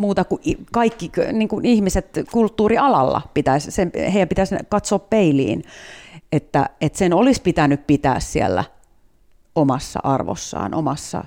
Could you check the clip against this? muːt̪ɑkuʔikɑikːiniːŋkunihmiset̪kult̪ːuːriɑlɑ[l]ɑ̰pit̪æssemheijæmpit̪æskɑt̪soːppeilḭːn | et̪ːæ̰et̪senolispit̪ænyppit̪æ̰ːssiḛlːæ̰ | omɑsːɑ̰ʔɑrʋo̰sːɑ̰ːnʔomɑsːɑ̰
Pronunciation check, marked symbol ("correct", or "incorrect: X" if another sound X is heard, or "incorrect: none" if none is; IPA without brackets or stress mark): incorrect: lː